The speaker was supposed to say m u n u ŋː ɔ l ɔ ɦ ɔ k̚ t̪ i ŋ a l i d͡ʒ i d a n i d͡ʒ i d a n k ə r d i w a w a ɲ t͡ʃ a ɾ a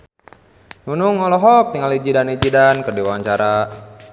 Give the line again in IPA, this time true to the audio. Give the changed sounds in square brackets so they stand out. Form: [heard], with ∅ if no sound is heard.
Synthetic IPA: [n] u n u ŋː ɔ l ɔ ɦ ɔ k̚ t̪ i ŋ a l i d͡ʒ i d a n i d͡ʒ i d a n k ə r d i w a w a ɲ t͡ʃ a ɾ a